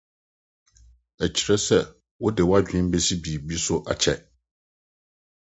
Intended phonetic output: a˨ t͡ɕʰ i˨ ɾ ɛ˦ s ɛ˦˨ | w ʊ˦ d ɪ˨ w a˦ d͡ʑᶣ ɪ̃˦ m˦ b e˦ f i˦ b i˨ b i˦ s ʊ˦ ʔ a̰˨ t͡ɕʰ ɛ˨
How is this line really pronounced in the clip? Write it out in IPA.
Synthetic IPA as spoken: æ˨ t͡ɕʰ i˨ ɾ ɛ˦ s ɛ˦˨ | w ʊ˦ d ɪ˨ w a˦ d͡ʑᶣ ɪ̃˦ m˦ b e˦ s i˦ b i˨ b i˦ s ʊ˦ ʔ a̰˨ t͡ɕʰ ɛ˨